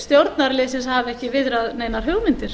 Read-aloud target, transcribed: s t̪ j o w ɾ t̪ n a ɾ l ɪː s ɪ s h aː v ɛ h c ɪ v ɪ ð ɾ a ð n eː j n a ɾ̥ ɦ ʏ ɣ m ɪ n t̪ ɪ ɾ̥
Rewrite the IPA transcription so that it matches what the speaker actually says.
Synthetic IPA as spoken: s t̪ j o w ɾ t̪ n a ɾ l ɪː s ɪ s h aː v ɛ h c ɪ v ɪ ð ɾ a ð n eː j n a ɾ̥ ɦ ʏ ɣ m ɪ n t̪ ɪ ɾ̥